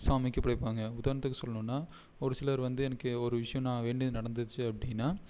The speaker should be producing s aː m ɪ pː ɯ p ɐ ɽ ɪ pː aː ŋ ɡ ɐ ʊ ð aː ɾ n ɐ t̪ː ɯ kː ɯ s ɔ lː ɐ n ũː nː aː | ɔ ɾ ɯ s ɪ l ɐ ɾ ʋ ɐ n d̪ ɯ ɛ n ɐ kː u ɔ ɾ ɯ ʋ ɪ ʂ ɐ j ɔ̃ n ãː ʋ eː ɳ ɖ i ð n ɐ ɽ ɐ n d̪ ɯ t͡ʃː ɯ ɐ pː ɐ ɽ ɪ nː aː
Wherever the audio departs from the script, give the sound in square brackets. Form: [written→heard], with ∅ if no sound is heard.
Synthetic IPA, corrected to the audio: s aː m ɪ [pː→kː] ɯ p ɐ ɽ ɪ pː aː ŋ ɡ ɐ ʊ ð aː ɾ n ɐ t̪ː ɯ kː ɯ s ɔ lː ɐ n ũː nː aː | ɔ ɾ ɯ s ɪ l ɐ ɾ ʋ ɐ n d̪ ɯ ɛ n ɐ kː [u→ɯ] ɔ ɾ ɯ ʋ ɪ ʂ ɐ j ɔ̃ n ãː ʋ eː ɳ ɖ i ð n ɐ ɽ ɐ n d̪ ɯ t͡ʃː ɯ ɐ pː ɐ ɽ ɪ nː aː